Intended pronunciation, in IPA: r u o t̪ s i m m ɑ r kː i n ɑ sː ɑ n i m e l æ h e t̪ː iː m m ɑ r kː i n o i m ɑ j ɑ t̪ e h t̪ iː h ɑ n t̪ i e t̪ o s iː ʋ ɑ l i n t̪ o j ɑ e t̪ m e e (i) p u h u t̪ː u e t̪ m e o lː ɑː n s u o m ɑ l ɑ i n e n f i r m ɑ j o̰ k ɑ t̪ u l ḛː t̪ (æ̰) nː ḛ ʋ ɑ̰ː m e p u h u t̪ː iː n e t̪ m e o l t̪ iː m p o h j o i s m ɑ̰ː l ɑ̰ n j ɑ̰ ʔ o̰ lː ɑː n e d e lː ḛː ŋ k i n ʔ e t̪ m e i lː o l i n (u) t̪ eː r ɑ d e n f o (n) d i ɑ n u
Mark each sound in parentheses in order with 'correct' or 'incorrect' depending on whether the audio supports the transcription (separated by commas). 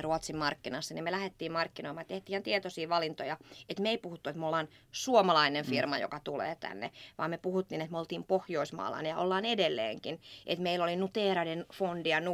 correct, correct, correct, correct